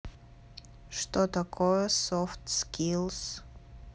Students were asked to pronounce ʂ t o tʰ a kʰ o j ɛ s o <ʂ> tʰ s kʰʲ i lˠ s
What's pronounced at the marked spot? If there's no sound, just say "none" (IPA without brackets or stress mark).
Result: f